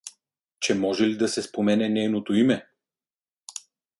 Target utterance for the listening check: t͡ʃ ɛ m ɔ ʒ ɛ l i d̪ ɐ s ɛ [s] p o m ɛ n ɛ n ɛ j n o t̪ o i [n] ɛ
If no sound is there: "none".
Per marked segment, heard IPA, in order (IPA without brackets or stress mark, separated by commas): s, m